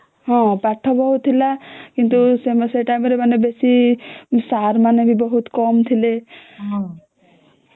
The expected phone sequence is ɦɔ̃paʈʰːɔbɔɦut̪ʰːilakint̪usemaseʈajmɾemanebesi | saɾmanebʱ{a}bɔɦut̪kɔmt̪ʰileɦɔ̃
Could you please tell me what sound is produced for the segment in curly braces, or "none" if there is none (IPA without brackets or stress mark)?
i